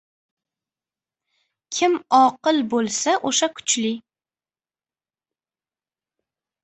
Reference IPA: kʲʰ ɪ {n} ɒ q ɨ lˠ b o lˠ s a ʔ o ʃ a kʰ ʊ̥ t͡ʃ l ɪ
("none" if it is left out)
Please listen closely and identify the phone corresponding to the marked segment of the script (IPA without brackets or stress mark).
m